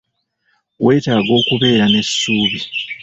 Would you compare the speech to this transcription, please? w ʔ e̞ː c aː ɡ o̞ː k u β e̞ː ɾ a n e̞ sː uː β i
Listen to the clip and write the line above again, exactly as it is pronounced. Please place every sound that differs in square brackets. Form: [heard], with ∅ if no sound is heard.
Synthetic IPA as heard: w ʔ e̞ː [t] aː ɡ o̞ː k u β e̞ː ɾ a n e̞ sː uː β i